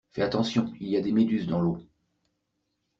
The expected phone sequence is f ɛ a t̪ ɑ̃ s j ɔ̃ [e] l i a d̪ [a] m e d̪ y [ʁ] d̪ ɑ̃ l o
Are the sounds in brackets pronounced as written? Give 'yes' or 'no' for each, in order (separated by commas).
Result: no, no, no